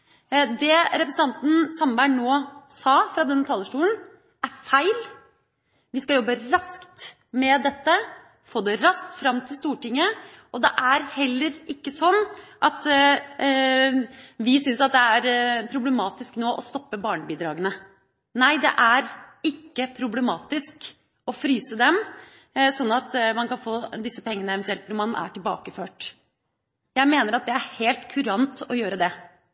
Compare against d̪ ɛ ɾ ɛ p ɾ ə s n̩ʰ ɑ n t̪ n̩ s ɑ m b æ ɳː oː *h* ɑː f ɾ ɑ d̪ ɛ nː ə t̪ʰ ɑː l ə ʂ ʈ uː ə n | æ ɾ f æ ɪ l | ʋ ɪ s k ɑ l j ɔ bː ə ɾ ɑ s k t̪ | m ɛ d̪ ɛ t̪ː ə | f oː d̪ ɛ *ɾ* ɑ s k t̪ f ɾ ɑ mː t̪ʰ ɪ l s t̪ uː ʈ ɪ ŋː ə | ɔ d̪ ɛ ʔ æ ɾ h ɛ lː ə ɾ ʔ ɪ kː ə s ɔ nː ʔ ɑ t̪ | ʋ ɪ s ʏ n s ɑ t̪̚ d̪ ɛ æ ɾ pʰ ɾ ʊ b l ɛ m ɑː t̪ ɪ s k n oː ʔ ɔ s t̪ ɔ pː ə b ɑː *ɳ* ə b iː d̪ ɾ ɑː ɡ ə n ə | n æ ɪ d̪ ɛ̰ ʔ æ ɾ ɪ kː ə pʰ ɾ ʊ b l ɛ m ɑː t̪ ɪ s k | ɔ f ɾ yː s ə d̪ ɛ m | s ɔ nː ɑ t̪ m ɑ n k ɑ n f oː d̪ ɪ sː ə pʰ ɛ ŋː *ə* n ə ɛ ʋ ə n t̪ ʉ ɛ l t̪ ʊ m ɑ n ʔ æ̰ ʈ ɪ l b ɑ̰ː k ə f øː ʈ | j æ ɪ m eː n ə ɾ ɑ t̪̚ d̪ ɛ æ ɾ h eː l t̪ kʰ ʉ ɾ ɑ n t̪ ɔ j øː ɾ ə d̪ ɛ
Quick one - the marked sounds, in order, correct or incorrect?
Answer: incorrect, correct, correct, correct

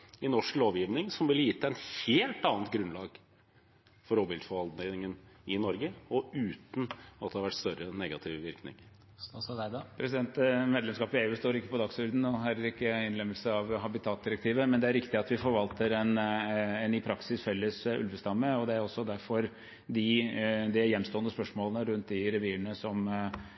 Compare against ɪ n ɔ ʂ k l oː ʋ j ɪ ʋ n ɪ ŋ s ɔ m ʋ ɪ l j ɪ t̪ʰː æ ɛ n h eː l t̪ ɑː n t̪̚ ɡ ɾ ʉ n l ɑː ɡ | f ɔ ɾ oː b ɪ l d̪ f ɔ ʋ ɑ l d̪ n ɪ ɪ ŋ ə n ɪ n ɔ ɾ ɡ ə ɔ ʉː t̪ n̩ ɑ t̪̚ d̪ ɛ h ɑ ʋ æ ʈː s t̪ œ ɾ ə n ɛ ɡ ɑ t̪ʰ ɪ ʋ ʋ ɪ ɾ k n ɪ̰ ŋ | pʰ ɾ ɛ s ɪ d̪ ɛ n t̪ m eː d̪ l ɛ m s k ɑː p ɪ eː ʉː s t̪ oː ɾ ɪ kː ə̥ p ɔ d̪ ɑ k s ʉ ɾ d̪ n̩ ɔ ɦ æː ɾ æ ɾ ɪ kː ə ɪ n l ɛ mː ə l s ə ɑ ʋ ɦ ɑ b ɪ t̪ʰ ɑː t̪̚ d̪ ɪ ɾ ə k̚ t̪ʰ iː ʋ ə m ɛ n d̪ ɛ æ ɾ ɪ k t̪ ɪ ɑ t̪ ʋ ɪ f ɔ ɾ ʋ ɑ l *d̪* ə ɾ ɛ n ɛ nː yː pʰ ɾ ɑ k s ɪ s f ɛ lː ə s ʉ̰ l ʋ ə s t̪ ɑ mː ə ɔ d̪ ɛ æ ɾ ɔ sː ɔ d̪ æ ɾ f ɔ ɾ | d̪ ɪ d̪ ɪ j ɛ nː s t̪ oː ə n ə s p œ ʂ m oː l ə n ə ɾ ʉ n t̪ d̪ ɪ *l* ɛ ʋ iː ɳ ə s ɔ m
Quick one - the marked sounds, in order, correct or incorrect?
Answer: incorrect, incorrect

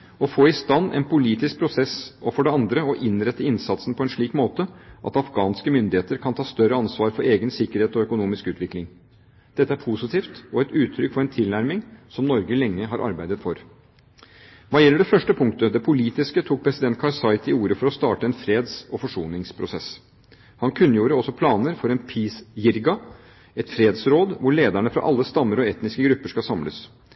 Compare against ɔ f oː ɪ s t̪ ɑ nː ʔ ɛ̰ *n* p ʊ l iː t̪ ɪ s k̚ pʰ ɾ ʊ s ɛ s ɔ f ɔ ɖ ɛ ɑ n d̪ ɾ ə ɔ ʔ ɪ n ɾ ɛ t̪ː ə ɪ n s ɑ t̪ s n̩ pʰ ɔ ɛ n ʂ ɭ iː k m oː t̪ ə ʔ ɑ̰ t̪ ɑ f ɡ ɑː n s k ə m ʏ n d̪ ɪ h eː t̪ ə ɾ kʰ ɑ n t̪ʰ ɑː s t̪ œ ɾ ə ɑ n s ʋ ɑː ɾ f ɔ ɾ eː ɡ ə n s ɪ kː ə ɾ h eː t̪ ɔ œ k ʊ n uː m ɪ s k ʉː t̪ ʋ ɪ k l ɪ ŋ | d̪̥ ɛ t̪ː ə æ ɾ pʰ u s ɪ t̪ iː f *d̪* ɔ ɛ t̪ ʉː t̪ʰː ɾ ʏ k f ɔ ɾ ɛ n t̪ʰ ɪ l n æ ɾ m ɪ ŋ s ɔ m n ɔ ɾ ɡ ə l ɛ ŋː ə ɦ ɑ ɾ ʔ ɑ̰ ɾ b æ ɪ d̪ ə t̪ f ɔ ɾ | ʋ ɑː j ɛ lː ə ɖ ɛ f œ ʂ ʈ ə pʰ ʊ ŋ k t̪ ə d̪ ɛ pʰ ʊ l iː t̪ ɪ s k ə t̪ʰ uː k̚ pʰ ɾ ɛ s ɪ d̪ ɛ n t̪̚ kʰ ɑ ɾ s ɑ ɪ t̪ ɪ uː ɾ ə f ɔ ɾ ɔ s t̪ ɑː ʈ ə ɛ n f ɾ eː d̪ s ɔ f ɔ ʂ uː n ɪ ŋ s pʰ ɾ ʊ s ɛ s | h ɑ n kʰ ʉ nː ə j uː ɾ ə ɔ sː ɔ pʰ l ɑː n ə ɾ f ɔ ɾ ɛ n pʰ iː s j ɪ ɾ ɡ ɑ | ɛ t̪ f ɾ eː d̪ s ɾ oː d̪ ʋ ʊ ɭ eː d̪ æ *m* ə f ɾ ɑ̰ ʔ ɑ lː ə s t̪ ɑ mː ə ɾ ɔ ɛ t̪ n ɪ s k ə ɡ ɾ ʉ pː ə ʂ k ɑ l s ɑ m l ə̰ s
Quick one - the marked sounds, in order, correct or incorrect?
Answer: correct, incorrect, incorrect

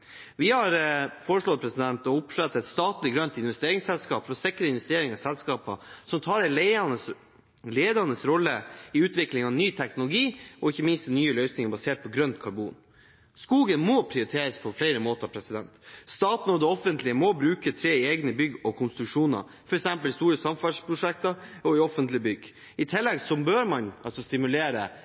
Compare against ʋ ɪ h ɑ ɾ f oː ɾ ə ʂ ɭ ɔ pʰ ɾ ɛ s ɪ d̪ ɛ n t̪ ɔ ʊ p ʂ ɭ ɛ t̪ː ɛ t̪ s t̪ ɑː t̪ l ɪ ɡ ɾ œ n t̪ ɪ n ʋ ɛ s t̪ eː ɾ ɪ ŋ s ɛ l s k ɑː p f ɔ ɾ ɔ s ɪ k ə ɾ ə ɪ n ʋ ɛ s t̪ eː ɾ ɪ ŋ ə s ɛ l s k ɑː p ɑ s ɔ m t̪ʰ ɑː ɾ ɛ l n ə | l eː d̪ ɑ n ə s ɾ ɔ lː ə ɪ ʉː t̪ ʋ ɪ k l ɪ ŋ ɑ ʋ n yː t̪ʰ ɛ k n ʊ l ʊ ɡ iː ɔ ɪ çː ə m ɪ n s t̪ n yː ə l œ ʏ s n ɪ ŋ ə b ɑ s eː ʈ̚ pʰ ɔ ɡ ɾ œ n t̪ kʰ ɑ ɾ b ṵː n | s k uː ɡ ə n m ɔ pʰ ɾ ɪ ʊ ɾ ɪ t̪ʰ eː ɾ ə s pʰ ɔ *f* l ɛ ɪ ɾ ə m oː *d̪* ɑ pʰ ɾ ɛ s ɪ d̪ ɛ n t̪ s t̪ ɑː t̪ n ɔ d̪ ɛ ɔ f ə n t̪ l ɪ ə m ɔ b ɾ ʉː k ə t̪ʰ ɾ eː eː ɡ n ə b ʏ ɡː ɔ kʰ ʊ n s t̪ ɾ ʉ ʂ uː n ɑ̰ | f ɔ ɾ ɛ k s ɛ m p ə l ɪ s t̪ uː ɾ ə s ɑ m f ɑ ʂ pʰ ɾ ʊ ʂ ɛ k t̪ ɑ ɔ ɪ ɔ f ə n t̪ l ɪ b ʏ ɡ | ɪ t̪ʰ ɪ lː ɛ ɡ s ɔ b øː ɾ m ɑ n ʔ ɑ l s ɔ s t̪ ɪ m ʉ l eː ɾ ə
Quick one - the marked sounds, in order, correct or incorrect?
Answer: correct, incorrect

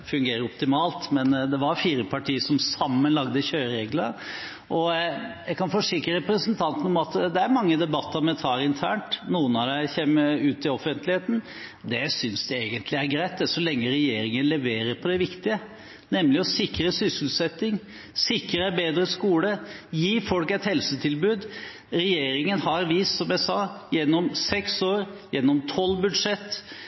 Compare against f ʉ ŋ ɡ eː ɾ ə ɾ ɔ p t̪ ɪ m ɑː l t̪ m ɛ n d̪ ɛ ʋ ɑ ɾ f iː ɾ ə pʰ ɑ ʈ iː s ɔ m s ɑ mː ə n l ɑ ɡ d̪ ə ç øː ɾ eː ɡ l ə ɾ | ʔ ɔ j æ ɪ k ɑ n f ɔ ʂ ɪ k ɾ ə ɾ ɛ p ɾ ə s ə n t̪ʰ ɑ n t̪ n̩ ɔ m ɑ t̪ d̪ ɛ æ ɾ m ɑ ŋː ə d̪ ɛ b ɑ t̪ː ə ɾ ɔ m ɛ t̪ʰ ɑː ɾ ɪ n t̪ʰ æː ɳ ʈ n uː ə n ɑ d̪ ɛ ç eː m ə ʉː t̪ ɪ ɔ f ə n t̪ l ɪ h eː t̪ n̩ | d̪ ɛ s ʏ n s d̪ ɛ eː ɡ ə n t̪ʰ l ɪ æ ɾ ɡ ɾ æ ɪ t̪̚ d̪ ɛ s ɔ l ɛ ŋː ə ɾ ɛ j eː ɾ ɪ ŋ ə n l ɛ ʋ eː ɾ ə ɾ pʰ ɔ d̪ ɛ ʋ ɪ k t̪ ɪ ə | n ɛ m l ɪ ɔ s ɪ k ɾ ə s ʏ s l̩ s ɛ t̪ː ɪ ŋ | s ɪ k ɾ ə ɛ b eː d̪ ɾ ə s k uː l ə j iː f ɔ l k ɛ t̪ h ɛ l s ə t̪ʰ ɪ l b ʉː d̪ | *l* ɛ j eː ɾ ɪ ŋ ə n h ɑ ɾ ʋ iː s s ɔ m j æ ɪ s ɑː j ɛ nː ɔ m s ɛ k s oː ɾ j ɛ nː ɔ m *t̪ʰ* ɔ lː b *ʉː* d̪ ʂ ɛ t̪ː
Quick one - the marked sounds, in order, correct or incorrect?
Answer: incorrect, correct, incorrect

